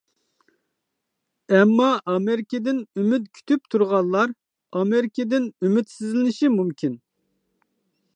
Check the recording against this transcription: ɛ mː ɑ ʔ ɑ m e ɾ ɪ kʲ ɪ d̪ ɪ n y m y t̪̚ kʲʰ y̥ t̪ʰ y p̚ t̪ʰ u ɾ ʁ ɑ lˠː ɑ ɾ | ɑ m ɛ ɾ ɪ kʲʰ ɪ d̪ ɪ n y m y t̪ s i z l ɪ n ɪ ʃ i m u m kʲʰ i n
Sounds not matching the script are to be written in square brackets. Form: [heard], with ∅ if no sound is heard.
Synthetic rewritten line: ɛ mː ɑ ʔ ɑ m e ɾ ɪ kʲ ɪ d̪ ɪ n y m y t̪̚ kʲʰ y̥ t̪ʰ y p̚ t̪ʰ u ɾ ʁ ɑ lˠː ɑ ɾ | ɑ m [e] ɾ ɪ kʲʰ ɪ d̪ ɪ n y m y t̪ s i z l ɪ n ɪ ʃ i m u m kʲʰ i n